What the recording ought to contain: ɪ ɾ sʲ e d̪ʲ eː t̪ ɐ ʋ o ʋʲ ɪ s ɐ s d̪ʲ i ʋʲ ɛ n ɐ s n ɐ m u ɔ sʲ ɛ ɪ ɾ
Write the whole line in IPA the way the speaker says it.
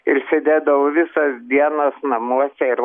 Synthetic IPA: ɪ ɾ sʲ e d̪ʲ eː d̪ ɐ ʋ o ʋʲ ɪ s ɐ s d̪ʲ i ɛ n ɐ s n ɐ m u ɔ sʲ ɛ ɪ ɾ